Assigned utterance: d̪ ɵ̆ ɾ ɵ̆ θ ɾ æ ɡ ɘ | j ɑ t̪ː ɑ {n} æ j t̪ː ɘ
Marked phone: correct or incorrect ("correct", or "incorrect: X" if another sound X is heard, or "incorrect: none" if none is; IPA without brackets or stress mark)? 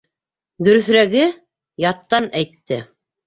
correct